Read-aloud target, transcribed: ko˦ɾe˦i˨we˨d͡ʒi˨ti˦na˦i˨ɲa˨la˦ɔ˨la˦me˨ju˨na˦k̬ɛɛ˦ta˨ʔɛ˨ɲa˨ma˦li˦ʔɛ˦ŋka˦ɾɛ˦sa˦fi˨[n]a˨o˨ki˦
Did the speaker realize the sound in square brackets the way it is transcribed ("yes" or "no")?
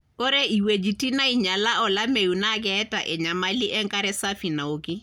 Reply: yes